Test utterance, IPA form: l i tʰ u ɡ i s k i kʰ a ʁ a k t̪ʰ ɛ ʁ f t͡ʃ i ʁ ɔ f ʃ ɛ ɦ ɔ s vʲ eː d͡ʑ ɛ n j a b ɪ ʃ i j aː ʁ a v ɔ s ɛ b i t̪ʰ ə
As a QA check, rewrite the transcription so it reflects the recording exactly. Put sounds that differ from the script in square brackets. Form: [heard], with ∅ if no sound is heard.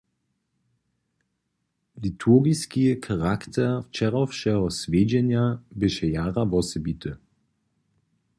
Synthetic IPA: l i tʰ u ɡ i s k i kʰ a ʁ a k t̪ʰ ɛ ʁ f t͡ʃ [ɛ] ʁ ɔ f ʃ ɛ ɦ ɔ s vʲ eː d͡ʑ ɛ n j a b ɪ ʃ [ɛ] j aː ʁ a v ɔ s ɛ b i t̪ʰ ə